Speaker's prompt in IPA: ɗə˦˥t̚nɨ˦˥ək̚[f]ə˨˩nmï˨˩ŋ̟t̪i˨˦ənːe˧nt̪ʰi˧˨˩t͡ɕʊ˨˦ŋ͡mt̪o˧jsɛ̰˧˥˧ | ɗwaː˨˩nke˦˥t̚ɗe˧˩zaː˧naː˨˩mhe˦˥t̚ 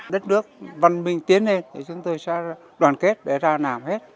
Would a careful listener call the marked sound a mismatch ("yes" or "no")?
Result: yes